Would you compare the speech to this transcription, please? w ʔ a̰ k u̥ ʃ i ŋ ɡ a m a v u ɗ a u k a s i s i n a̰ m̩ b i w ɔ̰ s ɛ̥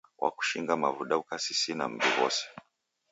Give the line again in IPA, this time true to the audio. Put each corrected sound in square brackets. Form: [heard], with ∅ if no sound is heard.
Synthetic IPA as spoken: w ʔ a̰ k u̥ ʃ i ŋ ɡ a m a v u ɗ a u k a s i s i n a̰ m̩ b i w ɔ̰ s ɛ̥